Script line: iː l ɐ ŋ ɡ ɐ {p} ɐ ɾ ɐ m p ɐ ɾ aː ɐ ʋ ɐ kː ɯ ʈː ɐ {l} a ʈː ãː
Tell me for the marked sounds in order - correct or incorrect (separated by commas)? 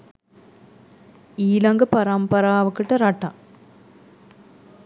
correct, incorrect